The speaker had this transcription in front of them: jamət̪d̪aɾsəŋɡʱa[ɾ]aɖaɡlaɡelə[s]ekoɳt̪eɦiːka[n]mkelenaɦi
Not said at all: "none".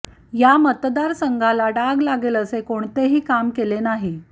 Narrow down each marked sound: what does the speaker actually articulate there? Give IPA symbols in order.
l, s, none

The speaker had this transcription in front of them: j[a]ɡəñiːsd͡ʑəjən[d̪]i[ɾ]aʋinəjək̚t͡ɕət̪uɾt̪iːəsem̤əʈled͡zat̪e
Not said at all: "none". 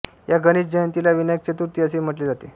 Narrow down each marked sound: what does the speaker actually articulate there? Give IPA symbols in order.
a, t̪, l

